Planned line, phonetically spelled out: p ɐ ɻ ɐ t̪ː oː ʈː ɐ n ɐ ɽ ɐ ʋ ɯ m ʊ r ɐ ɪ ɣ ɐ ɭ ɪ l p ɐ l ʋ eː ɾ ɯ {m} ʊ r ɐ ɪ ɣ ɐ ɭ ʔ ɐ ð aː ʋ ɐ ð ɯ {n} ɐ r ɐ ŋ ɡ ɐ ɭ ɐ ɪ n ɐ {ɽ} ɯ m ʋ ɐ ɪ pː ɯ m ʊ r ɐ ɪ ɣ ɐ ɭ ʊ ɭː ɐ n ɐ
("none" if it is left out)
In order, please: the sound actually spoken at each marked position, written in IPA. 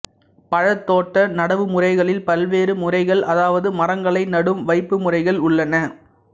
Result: m, m, ɽ

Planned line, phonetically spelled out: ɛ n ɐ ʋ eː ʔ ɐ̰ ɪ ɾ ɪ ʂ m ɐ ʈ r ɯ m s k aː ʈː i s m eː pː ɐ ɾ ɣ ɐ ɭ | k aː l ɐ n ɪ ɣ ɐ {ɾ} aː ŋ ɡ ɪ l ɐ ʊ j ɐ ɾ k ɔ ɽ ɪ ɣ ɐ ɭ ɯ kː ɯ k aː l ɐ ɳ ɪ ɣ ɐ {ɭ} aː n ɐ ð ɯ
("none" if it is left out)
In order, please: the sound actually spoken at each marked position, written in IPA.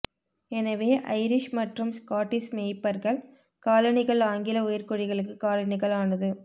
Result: ɭ, ɭ

